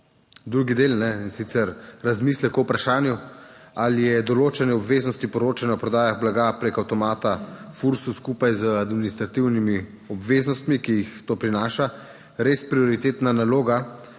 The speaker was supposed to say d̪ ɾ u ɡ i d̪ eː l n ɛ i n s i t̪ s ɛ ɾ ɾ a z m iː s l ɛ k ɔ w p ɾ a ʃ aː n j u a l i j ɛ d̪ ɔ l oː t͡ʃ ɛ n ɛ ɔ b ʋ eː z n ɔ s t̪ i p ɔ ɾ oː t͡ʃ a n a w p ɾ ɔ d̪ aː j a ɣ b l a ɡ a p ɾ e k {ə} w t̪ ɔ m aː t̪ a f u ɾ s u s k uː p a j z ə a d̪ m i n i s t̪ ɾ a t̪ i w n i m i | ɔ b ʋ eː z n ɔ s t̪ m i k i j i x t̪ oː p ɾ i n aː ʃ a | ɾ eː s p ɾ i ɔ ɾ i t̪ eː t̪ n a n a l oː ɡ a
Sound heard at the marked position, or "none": a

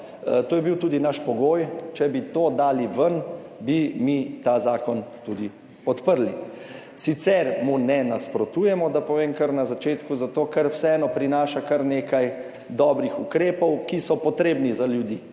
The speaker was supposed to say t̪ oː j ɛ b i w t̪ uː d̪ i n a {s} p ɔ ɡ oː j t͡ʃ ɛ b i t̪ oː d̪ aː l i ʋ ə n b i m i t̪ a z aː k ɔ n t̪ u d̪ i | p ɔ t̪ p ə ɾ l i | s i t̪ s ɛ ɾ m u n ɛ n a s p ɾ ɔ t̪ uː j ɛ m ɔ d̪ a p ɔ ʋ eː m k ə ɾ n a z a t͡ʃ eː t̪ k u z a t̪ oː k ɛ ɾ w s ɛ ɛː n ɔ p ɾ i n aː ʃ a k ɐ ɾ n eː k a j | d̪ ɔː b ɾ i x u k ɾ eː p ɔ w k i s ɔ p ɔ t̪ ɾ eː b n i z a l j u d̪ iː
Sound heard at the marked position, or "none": ʃ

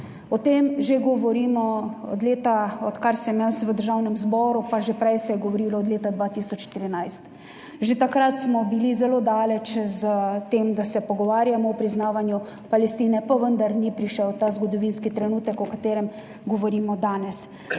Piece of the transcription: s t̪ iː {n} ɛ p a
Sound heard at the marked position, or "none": n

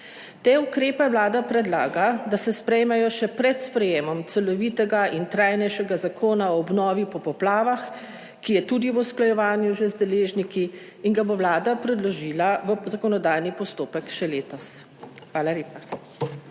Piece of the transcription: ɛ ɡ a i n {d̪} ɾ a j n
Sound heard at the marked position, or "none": t̪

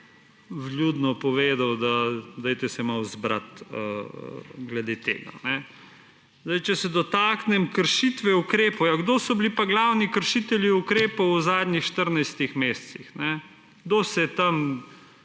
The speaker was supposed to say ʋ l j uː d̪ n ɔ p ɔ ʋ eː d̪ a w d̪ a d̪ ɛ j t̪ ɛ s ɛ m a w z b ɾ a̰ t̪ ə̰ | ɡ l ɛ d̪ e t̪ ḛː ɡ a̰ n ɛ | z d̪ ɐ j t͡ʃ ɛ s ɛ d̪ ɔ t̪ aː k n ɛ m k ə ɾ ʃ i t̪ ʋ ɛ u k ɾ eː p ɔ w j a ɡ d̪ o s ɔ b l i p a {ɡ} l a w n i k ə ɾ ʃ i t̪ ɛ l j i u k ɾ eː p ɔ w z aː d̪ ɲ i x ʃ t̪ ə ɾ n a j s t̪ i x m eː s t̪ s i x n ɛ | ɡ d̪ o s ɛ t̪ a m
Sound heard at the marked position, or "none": ɡ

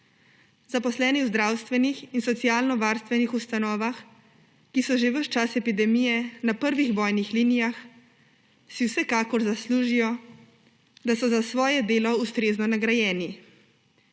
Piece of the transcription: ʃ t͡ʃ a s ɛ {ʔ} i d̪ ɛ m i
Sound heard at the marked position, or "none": p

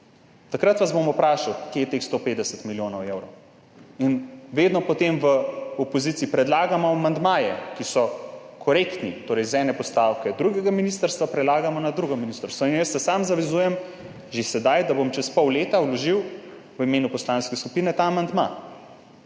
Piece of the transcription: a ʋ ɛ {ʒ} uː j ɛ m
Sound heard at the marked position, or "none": z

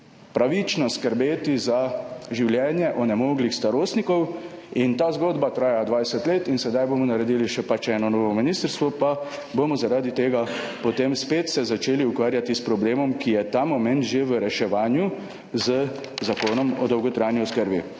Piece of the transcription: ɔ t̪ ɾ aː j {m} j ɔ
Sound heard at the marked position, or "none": n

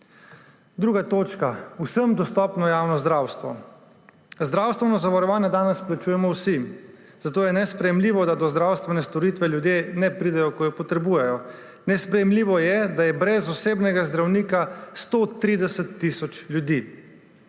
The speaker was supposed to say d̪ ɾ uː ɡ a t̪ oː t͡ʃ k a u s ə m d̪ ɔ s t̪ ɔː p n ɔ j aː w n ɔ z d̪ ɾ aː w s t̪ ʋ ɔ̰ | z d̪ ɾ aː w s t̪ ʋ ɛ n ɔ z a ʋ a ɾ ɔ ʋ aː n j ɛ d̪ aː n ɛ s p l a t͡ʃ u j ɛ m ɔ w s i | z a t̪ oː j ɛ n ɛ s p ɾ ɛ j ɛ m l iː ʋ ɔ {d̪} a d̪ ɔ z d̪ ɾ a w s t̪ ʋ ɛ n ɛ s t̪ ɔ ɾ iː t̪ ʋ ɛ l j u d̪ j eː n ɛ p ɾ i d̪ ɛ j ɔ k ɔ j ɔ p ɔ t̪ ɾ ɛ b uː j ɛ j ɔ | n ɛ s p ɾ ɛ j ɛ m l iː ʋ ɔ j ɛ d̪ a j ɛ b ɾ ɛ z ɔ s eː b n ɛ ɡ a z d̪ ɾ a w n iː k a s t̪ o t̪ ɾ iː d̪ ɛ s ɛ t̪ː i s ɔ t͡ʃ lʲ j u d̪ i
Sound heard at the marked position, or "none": d̪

